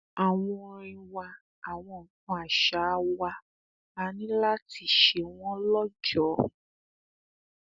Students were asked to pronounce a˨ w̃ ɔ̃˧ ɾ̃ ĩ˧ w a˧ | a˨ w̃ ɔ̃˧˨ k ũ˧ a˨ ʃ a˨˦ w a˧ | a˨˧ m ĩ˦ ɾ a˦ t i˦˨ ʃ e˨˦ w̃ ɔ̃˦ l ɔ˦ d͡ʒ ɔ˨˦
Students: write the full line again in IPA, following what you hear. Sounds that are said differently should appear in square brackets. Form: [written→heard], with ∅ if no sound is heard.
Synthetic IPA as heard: a˨ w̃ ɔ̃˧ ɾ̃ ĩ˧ w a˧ | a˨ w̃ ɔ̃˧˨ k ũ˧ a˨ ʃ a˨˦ w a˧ | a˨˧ [m→n] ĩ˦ [ɾ→l] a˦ t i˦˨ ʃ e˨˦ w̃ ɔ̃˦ l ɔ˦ d͡ʒ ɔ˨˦

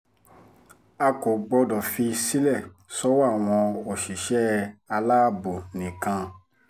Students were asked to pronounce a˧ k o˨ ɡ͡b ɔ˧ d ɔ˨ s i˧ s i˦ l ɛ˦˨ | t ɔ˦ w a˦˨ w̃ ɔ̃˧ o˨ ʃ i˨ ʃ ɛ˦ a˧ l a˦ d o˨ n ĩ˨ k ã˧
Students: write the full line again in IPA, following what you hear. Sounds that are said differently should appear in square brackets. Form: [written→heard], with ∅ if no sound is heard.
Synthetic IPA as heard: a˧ k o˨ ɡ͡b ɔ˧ d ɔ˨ [s→f] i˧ s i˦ l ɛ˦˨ | [t→s] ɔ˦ w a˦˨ w̃ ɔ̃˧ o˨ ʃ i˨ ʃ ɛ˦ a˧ l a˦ [d→b] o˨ n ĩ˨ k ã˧

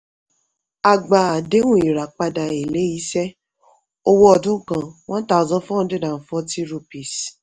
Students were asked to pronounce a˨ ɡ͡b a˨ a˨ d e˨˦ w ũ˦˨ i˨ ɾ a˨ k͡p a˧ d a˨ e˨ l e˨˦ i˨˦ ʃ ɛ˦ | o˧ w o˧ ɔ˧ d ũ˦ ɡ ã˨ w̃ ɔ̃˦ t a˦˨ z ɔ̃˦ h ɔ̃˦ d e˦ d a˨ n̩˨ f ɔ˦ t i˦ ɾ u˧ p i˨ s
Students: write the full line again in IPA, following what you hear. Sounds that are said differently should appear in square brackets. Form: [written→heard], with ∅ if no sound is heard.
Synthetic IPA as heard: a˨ ɡ͡b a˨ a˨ d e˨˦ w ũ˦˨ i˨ ɾ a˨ k͡p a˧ d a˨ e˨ l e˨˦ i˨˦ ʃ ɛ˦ | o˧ w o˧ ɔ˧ d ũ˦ [ɡ→k] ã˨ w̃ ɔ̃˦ t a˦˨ z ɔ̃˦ [h→f] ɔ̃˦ d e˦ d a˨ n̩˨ f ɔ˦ t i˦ ɾ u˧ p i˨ s

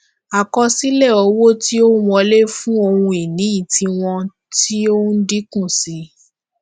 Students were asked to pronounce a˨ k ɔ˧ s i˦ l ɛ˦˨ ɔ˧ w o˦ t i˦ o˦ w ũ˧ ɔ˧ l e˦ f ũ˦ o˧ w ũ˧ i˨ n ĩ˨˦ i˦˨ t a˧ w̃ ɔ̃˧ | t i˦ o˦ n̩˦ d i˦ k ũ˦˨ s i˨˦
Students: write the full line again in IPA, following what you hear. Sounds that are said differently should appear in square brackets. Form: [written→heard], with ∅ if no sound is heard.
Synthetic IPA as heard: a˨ k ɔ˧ s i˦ l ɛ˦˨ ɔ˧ w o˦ t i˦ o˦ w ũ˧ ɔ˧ l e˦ f ũ˦ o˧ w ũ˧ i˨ n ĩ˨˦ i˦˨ t [a˧→i˧] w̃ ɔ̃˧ | t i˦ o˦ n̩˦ d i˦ k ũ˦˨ s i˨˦

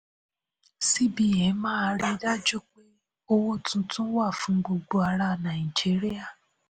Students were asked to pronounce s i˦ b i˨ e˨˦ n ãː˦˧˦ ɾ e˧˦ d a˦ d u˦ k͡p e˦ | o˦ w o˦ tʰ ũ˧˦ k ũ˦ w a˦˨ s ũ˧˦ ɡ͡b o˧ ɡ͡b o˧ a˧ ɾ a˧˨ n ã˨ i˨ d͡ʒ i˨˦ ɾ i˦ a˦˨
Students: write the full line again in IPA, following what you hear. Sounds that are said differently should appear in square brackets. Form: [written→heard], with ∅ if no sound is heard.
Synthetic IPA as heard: s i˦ b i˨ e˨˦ [n→m] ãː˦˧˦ ɾ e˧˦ d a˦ [d→d͡ʒ] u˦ k͡p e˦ | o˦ w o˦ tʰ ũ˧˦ [k→t] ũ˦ w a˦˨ [s→f] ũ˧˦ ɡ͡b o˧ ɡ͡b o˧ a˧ ɾ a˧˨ n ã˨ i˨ d͡ʒ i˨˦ ɾ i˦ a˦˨

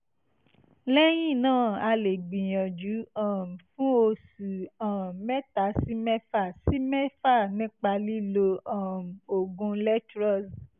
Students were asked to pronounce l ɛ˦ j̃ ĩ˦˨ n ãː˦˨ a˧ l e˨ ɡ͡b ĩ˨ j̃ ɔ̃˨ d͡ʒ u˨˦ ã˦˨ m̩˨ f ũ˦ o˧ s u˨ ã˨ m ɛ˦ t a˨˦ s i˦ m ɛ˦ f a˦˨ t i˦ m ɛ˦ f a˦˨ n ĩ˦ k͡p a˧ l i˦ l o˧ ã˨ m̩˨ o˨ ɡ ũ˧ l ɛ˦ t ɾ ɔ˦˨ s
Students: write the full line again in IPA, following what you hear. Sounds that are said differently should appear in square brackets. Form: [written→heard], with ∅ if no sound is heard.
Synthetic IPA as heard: l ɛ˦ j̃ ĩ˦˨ n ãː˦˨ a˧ l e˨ ɡ͡b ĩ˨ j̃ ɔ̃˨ d͡ʒ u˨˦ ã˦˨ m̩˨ f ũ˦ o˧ s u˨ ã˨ m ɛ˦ t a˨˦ s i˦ m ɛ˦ f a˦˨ [t→s] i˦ m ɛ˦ f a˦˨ n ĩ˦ k͡p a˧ l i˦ l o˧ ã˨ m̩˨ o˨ ɡ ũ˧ l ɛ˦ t ɾ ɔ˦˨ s

